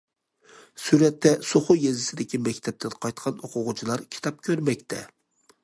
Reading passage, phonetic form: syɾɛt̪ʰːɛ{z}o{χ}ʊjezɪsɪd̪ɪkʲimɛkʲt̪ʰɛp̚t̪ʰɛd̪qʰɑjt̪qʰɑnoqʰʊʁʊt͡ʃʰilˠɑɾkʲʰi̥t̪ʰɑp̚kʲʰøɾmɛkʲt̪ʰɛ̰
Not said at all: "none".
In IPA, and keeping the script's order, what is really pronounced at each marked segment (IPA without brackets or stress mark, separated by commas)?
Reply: s, χ